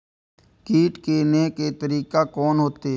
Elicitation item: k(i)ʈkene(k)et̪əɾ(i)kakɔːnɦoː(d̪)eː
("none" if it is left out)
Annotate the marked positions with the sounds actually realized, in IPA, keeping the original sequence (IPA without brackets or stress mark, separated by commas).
iː, k, iː, t̪